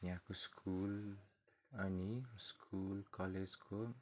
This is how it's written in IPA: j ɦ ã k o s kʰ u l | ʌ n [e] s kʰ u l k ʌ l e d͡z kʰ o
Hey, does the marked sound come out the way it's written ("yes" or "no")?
no